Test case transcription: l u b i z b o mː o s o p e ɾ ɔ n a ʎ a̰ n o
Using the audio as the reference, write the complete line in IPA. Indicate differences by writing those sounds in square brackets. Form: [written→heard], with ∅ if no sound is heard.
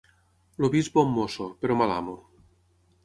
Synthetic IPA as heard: l [u→o] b i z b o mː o s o p e ɾ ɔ [n→m] a [ʎ→l] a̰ [n→m] o